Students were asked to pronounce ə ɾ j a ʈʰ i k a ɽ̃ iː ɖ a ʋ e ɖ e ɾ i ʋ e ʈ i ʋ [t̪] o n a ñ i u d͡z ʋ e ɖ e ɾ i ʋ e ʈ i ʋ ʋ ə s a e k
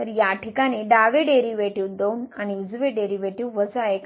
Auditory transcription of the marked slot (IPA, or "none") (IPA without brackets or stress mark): d̪